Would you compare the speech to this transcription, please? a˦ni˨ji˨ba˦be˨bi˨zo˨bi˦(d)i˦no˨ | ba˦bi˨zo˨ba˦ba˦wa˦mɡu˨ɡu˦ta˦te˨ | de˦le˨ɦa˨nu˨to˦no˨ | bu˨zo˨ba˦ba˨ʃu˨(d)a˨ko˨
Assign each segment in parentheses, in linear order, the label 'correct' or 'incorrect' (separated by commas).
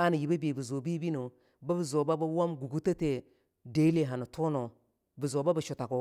incorrect, incorrect